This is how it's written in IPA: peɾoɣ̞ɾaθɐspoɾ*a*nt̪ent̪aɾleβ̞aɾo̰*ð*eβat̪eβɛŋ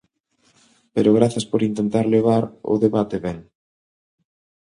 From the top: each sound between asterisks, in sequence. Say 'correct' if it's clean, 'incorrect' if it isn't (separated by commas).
incorrect, correct